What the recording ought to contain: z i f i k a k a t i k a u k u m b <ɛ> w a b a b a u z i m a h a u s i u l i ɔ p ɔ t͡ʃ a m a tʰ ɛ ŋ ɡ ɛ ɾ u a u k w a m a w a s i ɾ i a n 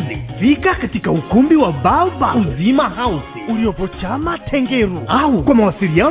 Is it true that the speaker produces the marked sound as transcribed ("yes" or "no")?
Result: no